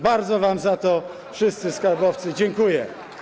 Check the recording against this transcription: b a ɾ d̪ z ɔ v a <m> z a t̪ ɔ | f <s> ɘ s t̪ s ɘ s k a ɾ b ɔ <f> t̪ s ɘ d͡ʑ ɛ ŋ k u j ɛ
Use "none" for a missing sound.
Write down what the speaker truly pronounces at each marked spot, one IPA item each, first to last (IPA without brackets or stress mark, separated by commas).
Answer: m, ʂ, f